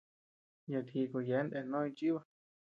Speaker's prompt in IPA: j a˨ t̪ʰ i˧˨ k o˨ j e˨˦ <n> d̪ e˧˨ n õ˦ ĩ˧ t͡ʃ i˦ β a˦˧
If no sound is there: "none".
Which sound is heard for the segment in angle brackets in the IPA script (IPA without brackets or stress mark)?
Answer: n